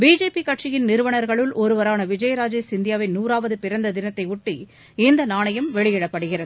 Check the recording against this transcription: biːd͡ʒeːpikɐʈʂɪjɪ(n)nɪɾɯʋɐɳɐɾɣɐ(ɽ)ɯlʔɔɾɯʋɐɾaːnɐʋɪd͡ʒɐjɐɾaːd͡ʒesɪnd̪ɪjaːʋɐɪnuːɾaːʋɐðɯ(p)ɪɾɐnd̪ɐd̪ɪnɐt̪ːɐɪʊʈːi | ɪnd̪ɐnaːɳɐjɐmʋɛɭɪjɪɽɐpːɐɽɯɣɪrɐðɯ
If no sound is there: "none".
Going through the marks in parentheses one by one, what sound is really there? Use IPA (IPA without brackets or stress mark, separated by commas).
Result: n, ɭ, p